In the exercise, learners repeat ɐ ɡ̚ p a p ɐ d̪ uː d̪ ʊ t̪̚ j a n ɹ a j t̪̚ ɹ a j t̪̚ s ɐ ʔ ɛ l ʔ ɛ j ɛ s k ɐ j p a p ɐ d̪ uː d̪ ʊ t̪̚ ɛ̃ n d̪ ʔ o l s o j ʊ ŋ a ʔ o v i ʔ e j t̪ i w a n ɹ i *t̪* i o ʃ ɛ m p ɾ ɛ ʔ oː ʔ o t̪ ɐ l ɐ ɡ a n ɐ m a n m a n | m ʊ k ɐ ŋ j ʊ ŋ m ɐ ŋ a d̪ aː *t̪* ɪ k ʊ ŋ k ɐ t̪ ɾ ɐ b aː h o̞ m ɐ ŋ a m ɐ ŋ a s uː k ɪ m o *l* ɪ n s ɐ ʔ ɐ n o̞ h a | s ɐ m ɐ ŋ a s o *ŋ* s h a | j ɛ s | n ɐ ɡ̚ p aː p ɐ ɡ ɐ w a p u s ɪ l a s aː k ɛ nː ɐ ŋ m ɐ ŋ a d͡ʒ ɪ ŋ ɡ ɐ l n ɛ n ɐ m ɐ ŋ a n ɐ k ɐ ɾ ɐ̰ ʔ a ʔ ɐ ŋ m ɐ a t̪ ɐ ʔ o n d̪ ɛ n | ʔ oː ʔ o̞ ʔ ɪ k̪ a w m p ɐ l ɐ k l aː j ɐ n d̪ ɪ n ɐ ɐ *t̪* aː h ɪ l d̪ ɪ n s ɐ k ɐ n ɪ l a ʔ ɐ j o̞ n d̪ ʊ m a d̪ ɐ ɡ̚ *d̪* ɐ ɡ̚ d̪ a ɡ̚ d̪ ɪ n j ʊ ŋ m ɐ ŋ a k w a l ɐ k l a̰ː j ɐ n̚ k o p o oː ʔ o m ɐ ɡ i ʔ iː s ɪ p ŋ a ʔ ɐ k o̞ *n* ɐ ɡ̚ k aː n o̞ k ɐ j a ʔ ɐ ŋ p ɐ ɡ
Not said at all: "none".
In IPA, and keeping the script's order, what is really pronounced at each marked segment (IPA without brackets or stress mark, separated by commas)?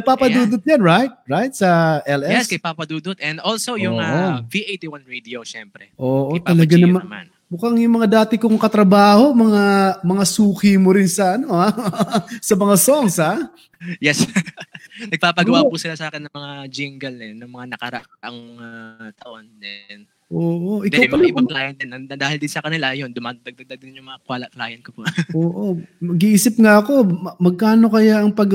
d̪, t̪, ɾ, ŋ, d̪, d̪, m